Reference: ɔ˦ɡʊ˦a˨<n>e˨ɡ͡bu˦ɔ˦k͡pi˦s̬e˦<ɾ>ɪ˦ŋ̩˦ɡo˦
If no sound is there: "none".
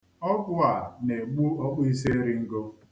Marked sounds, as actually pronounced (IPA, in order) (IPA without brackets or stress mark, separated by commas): n, ɾ